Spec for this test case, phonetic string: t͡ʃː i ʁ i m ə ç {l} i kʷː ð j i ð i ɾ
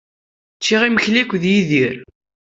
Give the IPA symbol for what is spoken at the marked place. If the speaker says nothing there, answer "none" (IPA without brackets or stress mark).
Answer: l